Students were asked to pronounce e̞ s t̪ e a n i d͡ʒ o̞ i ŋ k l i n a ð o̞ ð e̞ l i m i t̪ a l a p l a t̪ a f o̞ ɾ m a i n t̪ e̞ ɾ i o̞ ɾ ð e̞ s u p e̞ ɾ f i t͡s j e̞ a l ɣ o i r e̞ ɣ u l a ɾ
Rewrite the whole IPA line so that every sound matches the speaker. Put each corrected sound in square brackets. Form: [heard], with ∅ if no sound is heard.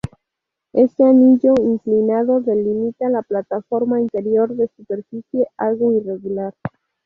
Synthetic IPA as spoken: e̞ s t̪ e a n i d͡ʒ o̞ i ŋ k l i n a ð o̞ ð e̞ l i m i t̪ a l a p l a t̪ a f o̞ ɾ m a i n t̪ e̞ ɾ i o̞ ɾ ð e̞ s u p e̞ ɾ f i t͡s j e̞ a l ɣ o i r e̞ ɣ u l a ɾ